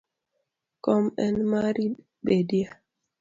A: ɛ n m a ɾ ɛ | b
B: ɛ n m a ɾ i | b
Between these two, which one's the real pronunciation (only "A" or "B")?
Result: B